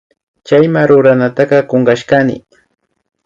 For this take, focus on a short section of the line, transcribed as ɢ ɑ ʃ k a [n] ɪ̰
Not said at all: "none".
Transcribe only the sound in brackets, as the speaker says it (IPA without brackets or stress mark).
n